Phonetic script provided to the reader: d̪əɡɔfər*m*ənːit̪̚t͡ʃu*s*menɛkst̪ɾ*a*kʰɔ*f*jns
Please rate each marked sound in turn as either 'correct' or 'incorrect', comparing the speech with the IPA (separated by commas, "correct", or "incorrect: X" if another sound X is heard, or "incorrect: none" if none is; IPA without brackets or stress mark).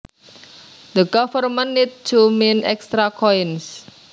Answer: correct, incorrect: none, correct, incorrect: none